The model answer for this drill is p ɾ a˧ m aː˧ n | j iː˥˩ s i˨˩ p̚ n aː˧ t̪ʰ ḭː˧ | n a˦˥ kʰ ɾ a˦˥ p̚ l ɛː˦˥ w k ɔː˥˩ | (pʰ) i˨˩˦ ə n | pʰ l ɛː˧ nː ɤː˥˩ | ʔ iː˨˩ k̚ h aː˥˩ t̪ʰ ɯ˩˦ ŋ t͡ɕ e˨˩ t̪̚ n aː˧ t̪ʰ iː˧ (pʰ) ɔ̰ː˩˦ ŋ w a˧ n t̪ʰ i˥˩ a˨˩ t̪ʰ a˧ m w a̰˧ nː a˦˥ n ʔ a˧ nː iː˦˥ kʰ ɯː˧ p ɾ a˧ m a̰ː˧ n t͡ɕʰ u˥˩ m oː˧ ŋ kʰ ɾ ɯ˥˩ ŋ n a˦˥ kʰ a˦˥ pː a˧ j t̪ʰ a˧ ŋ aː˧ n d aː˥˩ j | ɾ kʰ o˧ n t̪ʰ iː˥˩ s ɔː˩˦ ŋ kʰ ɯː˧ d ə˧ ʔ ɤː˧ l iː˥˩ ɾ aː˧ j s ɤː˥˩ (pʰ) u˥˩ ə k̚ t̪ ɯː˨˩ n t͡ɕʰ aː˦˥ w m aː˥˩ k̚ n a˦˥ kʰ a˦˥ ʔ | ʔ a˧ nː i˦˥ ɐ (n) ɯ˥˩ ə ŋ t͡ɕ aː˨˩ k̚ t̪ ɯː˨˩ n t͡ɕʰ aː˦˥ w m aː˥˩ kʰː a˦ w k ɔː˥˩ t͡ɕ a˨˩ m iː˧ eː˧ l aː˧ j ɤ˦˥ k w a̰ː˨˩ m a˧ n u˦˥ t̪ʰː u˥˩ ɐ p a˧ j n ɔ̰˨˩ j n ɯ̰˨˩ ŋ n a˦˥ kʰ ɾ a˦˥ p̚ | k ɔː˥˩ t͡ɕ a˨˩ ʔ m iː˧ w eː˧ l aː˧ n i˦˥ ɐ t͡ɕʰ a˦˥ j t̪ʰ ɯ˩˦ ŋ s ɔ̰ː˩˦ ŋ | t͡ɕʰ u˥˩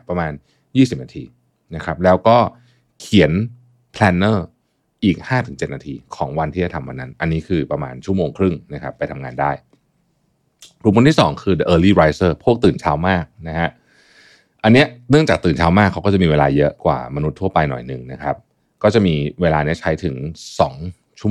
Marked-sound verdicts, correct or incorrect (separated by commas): incorrect, incorrect, correct, correct